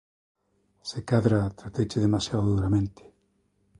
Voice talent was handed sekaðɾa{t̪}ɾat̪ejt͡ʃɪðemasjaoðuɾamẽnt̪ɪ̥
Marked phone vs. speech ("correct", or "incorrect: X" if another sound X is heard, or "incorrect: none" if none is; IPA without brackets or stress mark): correct